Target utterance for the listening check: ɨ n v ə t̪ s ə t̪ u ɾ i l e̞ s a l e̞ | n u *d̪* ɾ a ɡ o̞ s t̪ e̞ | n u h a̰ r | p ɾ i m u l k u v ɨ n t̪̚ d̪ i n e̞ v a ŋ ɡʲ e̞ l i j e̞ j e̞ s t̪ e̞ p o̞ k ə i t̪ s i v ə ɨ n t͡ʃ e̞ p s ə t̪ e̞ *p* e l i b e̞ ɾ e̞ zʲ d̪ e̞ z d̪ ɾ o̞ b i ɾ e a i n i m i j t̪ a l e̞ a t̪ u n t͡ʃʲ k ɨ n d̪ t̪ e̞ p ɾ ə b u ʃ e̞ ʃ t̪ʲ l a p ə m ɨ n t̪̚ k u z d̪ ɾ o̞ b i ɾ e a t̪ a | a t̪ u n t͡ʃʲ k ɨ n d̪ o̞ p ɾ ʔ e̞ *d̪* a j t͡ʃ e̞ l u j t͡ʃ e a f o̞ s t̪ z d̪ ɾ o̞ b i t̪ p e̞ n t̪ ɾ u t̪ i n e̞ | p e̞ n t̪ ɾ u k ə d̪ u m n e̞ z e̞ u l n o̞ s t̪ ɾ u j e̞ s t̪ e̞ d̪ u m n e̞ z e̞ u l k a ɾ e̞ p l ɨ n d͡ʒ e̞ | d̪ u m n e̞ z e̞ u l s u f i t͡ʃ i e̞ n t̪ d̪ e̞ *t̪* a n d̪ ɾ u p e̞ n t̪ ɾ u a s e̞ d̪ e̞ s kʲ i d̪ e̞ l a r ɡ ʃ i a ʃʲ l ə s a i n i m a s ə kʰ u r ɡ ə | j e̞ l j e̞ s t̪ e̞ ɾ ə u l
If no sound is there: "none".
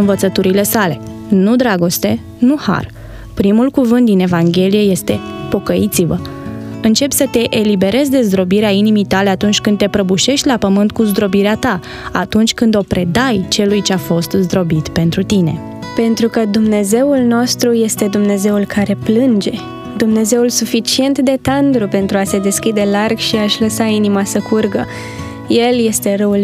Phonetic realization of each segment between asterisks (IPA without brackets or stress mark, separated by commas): d̪, ʔ, d̪, t̪